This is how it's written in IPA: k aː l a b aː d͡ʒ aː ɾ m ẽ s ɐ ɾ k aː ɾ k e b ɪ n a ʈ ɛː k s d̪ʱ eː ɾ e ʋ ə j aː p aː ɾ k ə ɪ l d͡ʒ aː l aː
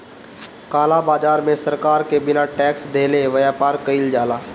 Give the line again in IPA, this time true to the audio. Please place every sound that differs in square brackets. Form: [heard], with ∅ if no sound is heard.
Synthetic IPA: k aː l a b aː d͡ʒ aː ɾ m ẽ s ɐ ɾ k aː ɾ k e b ɪ n a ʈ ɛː k s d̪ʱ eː [l] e ʋ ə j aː p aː ɾ k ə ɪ l d͡ʒ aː l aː

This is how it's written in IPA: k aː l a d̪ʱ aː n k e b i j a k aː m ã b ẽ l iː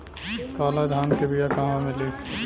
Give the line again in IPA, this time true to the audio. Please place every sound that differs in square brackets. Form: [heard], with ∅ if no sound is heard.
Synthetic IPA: k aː l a d̪ʱ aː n k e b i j a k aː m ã [m] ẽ l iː

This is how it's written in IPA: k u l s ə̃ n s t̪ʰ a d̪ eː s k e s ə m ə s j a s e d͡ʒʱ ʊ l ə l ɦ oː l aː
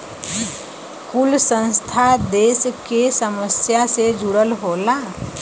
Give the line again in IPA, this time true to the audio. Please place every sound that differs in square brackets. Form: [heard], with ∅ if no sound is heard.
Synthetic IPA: k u l s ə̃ n s t̪ʰ a d̪ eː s k e s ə m ə s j a s e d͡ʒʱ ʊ [ɽ] ə l ɦ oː l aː

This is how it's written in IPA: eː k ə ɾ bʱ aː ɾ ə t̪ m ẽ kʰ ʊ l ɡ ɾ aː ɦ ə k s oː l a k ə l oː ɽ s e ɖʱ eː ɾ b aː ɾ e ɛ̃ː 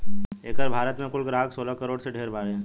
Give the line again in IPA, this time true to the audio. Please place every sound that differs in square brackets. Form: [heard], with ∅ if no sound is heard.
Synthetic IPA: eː k ə ɾ bʱ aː ɾ ə t̪ m ẽ [k] ʊ l ɡ ɾ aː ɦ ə k s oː l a k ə [ɾ] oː ɽ s e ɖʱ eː ɾ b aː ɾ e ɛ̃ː

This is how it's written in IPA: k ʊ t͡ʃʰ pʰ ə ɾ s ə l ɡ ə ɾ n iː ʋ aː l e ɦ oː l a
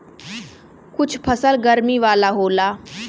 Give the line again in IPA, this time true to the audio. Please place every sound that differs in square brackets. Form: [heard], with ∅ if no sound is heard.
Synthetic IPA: k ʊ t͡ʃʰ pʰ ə [∅] s ə l ɡ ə ɾ [m] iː ʋ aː l [a] ɦ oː l a

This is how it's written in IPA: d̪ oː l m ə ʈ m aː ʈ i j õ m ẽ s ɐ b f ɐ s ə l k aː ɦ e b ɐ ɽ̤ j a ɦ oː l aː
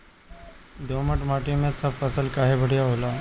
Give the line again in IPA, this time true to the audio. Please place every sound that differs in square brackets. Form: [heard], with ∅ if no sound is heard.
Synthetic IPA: d̪ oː [∅] m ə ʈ m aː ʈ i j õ m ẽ s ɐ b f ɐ s ə l k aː ɦ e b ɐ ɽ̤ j a ɦ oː l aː

